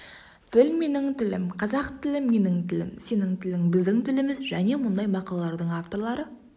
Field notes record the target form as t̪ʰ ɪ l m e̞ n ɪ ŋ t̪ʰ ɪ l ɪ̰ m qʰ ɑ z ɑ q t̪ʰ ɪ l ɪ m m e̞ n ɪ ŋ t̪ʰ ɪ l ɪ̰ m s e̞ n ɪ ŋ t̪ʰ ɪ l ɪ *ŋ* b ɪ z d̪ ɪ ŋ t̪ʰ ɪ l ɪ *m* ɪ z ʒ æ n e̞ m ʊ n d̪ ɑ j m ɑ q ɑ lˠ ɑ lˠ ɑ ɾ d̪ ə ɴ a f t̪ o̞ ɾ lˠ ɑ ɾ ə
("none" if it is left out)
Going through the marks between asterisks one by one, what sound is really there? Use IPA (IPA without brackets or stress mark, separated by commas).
ŋ, m